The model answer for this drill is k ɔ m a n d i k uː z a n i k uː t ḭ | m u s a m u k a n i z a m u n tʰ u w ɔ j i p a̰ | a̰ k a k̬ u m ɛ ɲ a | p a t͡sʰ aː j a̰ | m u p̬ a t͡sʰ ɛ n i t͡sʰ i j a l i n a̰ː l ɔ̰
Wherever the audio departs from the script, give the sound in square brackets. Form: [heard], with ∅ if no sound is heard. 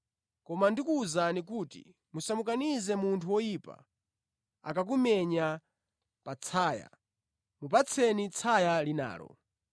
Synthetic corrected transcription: k ɔ m a n d i k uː z a n i k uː t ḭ | m u s a m u k a n i z [ɛ] m u n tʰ u w ɔ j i p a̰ | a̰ k a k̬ u m ɛ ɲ a | p a t͡sʰ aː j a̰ | m u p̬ a t͡sʰ ɛ n i t͡sʰ [a] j a l i n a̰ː l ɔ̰